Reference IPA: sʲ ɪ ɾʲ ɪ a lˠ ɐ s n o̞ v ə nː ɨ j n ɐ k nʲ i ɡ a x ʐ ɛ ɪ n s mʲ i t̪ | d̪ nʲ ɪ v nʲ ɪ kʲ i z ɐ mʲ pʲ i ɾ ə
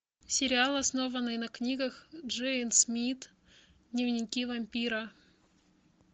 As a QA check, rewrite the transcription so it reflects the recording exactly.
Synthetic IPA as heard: sʲ ɪ ɾʲ ɪ a lˠ ɐ s n o̞ v ə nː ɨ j n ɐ k nʲ i ɡ ə x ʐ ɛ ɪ n s mʲ i t̪ | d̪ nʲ ɪ v nʲ ɪ kʲ i v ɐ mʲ pʲ i ɾ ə